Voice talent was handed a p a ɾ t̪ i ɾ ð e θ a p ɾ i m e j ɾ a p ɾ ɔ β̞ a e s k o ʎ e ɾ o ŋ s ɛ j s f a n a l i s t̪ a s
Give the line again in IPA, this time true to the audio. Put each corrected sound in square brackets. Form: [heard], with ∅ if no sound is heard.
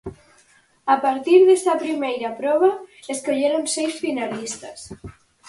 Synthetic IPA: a p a ɾ t̪ i ɾ ð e [s] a p ɾ i m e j ɾ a p ɾ ɔ β̞ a e s k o ʎ e ɾ o [n] s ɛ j s f [i] n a l i s t̪ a s